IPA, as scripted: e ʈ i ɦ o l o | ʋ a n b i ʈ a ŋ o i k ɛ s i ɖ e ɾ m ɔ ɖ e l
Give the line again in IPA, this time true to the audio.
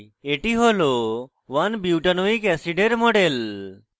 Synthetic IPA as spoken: e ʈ i ɦ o l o | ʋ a n b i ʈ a n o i k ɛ s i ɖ e ɾ m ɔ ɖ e l

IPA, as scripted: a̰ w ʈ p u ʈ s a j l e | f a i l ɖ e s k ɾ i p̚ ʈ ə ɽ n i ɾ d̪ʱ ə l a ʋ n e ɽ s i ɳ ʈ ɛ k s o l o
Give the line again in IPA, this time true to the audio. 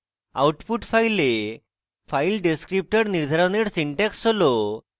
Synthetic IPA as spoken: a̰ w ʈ p u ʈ f a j l e | f a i l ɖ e s k ɾ i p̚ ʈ ə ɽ n i ɾ d̪ʱ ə ɾ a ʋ n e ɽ s i ɳ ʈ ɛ k s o l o

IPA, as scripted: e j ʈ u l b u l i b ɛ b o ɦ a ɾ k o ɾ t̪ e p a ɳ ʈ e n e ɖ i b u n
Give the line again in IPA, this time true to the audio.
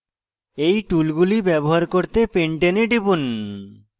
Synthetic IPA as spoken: e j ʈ u l ɡ u l i b ɛ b o ɦ a ɾ k o ɾ t̪ e p e ɳ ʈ e n e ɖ i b u n

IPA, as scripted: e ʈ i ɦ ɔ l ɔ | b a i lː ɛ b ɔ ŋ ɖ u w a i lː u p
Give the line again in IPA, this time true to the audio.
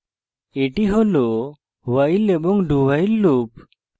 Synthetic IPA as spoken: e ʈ i ɦ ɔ l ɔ | w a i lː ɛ b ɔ ŋ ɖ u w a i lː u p

